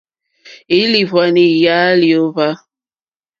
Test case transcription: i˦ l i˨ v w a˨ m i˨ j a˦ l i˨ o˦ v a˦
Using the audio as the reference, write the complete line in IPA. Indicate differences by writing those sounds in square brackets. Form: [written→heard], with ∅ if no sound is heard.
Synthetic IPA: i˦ l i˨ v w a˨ [m→n] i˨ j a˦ l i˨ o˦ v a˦